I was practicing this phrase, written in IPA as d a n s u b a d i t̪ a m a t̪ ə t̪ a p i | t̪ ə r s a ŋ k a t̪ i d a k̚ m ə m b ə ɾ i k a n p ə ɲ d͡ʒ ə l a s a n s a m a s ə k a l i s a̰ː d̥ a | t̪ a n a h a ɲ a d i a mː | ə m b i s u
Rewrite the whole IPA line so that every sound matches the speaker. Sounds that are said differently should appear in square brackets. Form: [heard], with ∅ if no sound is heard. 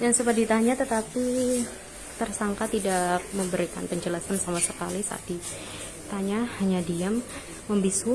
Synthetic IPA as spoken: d a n s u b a d i t̪ a [ɲ] a t̪ ə t̪ a p i | t̪ ə r s a ŋ k a t̪ i d a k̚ m ə m b ə ɾ i k a n p ə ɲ d͡ʒ ə l a s a n s a m a s ə k a l i s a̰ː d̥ [i] | t̪ a [ɲ] a h a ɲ a d i a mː | ə m b i s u